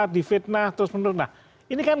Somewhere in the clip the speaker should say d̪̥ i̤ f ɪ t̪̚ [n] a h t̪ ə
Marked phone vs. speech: correct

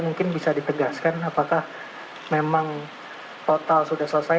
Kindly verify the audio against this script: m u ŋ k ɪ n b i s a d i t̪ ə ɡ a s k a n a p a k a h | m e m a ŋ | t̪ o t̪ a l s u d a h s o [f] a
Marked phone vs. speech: incorrect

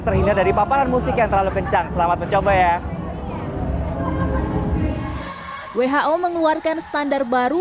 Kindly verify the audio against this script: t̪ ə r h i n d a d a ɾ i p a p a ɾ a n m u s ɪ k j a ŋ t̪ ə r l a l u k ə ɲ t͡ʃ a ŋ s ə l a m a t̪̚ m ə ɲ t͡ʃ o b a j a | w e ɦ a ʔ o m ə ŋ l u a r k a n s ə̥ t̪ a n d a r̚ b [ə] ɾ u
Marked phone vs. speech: incorrect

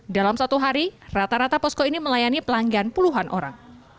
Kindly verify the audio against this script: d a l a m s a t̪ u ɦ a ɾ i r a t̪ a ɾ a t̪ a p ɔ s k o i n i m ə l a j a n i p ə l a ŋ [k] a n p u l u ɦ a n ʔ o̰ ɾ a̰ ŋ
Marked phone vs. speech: incorrect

